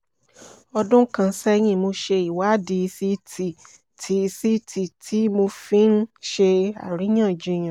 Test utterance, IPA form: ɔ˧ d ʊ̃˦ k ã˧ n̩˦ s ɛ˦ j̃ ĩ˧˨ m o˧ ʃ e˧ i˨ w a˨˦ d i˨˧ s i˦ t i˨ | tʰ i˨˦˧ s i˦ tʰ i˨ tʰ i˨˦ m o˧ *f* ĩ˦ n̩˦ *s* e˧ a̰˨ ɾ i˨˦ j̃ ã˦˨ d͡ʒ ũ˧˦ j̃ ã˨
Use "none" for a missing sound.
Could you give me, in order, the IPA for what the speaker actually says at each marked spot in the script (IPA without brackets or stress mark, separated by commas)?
f, ʃ